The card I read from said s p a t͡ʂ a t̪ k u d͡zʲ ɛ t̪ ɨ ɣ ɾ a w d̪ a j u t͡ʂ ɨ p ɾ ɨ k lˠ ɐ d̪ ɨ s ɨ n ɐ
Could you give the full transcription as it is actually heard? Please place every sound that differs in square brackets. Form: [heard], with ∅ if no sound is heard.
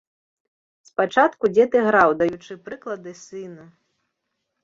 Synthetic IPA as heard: s p a t͡ʂ a t̪ k u d͡zʲ ɛ t̪ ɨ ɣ ɾ a w d̪ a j u t͡ʂ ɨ p ɾ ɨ k lˠ ɐ d̪ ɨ s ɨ n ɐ